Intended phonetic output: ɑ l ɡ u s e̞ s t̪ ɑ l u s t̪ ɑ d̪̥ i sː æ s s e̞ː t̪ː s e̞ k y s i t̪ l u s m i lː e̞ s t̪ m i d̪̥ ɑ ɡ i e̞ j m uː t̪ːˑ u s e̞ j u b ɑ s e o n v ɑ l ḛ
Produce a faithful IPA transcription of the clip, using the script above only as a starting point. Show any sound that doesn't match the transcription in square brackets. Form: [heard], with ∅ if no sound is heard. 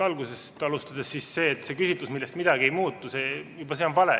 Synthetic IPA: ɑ l ɡ u s e̞ s t̪ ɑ l u s t̪ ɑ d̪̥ [e] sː [i] s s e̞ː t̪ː s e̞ k y s i t̪ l u s m i lː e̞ s t̪ m i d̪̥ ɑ ɡ i e̞ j m uː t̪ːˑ u s e̞ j u b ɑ s e o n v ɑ l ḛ